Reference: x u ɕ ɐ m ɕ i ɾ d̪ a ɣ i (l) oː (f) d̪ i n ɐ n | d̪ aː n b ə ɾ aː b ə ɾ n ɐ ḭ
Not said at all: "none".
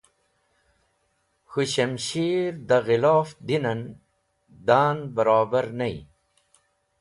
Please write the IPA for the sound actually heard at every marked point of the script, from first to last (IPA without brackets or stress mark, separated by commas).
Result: l, f